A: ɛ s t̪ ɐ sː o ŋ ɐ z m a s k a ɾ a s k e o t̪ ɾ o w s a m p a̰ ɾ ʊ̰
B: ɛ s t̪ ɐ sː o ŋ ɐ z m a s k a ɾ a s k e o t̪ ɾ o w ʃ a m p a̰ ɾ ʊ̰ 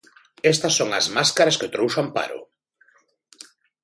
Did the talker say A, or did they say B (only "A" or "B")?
B